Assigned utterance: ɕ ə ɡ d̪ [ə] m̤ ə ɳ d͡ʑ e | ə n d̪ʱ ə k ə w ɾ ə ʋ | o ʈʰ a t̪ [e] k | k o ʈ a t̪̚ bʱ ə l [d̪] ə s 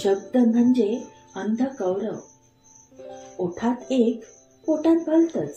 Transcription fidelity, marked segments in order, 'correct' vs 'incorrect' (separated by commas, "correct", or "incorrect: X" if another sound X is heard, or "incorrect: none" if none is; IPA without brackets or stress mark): correct, correct, incorrect: t̪